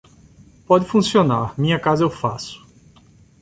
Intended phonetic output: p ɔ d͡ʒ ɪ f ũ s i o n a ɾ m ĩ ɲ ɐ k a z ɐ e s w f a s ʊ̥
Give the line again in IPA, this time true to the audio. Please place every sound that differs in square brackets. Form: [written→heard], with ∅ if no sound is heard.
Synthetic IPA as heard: p ɔ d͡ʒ ɪ f ũ s i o n a ɾ m ĩ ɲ ɐ k a z ɐ e [s→∅] w f a s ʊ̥